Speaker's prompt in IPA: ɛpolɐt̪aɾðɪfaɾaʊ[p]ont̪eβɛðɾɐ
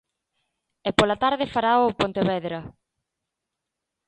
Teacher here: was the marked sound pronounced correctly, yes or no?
yes